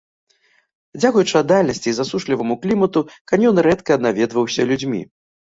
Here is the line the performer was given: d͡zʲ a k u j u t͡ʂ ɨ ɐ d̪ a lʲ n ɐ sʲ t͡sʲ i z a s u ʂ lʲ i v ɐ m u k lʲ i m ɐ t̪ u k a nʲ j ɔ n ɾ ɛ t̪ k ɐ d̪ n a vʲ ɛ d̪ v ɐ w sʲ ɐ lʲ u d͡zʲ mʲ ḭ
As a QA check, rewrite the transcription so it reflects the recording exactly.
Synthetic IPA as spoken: d͡zʲ a k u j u t͡ʂ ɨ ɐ d̪ a lʲ n ɐ sʲ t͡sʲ i z a s u ʂ lʲ i v ɐ m u k lʲ i m ɐ t̪ u k a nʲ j ɔ n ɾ ɛ t̪ k ɐ d̪ n a vʲ ɛ d̪ v ɐ w sʲ ɐ lʲ u d͡zʲ mʲ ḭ

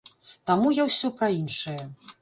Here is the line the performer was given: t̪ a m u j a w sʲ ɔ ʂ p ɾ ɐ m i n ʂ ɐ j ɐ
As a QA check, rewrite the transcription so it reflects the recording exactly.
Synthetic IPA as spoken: t̪ a m u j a w sʲ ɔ p ɾ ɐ i n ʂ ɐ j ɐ

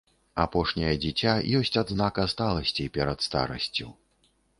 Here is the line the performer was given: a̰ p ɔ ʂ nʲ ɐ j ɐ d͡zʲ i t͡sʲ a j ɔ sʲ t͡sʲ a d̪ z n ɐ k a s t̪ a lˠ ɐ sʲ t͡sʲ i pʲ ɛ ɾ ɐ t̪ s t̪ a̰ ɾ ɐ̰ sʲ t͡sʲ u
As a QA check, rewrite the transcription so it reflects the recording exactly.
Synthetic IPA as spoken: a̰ p ɔ ʂ nʲ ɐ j ɐ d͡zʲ i t͡sʲ a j ɔ sʲ t͡sʲ a d̪ z n a k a s t̪ a lˠ ɐ sʲ t͡sʲ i pʲ ɛ ɾ ɐ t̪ s t̪ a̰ ɾ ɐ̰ sʲ t͡sʲ u

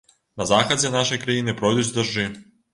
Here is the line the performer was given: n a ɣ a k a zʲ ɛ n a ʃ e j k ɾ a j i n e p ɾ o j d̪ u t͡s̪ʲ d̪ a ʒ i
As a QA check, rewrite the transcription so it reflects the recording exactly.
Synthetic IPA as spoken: n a z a x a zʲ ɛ n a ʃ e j k ɾ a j i n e p ɾ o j d̪ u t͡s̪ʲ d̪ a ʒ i

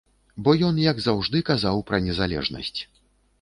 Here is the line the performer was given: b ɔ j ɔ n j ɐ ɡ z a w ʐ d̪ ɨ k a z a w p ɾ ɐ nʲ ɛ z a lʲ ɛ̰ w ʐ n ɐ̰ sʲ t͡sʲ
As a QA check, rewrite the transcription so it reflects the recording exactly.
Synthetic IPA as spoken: b ɔ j ɔ n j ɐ ɡ z a w ʐ d̪ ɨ k a z a w p ɾ ɐ nʲ ɛ z a lʲ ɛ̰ ʐ n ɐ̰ sʲ t͡sʲ

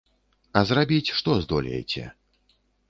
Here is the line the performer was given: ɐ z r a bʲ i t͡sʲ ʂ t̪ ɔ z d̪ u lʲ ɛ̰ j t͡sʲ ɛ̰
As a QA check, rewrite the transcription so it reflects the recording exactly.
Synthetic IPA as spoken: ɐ z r a bʲ i t͡sʲ ʂ t̪ ɔ z d̪ ɔ lʲ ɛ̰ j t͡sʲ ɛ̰

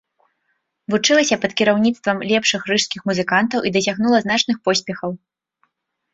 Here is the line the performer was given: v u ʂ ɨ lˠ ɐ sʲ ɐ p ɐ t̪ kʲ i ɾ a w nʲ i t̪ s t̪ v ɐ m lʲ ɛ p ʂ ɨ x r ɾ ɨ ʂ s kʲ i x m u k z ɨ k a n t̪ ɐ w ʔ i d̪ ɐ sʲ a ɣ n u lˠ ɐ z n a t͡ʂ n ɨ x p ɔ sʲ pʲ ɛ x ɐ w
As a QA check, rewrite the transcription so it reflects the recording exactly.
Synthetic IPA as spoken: v u t͡ʂ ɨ lˠ ɐ sʲ ɐ p ɐ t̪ kʲ i ɾ a w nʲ i t̪ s t̪ v ɐ m lʲ ɛ p ʂ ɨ x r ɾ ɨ ʂ s kʲ i x m u z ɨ k a n t̪ ɐ w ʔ i d̪ ɐ sʲ a ɣ n u lˠ ɐ z n a t͡ʂ n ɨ x p ɔ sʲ pʲ ɛ x ɐ w

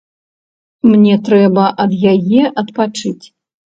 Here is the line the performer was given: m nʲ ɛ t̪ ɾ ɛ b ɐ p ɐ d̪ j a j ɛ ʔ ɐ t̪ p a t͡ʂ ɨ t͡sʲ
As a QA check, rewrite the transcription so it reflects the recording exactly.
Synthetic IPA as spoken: m nʲ ɛ t̪ ɾ ɛ b ɐ ʔ ɐ d̪ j a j ɛ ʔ ɐ t̪ p a t͡ʂ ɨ t͡sʲ

